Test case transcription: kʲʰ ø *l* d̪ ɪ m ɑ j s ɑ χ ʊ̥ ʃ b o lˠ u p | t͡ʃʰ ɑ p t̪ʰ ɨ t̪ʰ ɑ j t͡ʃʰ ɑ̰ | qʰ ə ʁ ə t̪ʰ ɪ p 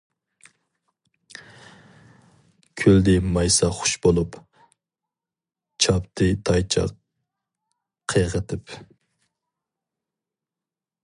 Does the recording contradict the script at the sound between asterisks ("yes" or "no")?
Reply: no